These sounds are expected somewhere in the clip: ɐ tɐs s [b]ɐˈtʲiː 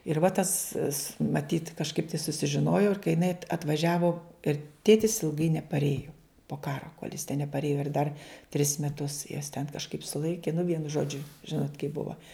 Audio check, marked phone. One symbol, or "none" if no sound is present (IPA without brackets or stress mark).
m